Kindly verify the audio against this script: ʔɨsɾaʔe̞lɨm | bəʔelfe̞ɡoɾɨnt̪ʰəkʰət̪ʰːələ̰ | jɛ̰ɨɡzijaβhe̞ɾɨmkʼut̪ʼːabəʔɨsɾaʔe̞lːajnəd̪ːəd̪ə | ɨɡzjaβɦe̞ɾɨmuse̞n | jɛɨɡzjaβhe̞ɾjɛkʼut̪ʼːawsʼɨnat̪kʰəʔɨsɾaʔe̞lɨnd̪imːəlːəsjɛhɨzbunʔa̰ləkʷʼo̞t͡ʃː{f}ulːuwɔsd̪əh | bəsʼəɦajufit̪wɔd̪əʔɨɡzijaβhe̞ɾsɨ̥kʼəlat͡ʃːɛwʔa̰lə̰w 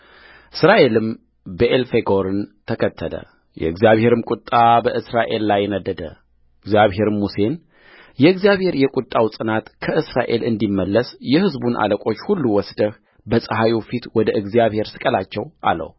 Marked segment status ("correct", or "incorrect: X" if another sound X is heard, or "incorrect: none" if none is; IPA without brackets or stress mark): incorrect: h